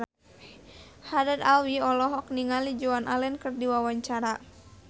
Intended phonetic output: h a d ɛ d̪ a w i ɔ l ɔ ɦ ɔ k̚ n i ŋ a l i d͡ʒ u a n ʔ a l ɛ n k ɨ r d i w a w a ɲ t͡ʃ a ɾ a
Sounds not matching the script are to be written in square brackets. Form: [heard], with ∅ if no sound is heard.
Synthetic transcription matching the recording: h a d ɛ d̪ a w i ɔ l ɔ ɦ ɔ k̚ n i ŋ a l i d͡ʒ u a n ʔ a l ɛ n k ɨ r d i w a w a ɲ t͡ʃ a ɾ a